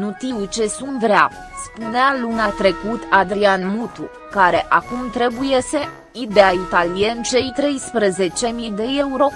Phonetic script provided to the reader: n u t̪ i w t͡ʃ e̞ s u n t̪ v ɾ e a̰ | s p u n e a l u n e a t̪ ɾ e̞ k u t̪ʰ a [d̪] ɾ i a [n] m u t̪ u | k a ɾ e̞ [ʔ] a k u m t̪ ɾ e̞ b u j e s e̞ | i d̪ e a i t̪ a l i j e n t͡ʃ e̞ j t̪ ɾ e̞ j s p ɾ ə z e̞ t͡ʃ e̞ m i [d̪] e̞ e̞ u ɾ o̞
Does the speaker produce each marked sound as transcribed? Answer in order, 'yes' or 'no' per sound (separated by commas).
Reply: yes, yes, yes, yes